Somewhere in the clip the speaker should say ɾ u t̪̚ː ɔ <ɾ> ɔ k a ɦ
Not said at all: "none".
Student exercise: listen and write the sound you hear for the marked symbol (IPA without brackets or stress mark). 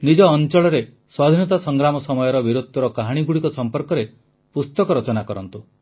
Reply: ɾ